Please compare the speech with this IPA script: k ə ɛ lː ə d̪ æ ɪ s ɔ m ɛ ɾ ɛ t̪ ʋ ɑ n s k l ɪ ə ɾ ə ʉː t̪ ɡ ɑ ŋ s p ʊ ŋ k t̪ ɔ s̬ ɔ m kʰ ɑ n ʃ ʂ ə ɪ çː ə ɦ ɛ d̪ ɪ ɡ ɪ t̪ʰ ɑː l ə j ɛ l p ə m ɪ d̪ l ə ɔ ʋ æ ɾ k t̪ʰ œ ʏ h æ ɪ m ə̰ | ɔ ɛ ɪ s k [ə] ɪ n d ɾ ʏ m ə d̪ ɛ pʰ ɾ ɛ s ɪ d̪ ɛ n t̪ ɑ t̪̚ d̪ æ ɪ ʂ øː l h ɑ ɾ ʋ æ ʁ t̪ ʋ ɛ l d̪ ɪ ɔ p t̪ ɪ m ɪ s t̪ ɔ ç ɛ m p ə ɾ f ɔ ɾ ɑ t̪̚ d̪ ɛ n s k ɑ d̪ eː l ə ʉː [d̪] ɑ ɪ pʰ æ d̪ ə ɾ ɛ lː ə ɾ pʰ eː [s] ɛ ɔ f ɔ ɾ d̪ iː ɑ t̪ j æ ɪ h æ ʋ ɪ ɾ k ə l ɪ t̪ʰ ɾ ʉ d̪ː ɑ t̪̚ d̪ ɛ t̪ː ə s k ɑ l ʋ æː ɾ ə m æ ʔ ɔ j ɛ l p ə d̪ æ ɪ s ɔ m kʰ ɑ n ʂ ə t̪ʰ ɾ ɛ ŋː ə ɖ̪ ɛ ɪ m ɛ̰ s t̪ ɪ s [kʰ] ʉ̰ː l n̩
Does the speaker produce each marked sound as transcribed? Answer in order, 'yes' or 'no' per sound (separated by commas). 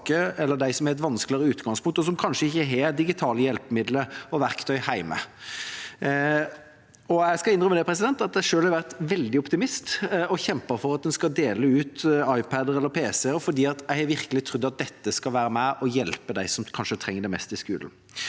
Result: no, no, yes, no